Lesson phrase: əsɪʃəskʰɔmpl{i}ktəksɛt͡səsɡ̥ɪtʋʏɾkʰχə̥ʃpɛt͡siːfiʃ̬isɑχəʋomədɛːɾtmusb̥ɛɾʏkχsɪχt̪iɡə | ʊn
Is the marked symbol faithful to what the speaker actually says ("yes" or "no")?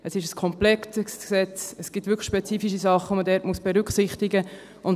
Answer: no